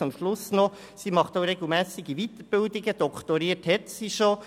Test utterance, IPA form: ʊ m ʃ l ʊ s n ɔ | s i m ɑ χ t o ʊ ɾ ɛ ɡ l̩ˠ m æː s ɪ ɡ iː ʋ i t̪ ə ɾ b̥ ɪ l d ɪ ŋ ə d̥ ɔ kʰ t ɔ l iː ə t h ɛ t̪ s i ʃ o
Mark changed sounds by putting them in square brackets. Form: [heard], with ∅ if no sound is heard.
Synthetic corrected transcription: ʊ m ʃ l ʊ s n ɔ | s i m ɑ χ t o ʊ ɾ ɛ ɡ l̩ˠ m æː s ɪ ɡ [i] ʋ i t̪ ə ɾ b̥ ɪ l d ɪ [ɡ] ə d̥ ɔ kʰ t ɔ [ɾ] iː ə t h ɛ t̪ s i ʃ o